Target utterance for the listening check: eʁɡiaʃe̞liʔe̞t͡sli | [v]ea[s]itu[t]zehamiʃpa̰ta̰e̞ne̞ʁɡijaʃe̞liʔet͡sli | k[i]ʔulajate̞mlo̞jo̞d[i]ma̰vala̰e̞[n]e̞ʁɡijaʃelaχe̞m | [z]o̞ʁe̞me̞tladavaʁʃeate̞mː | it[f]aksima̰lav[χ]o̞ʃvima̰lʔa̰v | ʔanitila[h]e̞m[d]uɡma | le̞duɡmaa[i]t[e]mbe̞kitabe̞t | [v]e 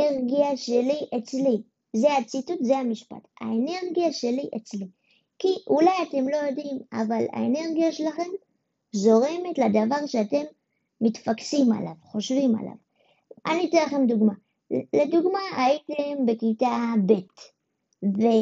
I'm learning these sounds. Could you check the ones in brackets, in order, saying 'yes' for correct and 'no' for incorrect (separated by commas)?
no, no, yes, yes, yes, yes, yes, yes, yes, no, yes, yes, yes, yes